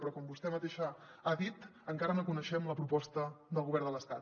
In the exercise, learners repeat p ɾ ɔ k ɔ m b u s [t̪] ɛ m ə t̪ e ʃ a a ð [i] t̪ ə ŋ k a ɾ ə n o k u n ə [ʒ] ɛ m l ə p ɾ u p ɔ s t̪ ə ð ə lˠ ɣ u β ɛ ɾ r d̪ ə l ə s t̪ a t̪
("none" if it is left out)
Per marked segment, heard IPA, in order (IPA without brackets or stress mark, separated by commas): t̪, i, ʃ